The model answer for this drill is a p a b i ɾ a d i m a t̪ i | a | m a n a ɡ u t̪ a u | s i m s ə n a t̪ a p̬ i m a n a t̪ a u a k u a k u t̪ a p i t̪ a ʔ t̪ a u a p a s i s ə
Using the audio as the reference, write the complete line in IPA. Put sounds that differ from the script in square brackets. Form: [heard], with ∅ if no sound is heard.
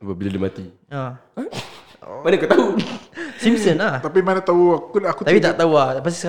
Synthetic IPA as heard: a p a b i [l] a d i m a t̪ i | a | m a n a [k] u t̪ a u | s i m s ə n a t̪ a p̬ i m a n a t̪ a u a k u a k u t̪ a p i t̪ a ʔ t̪ a u a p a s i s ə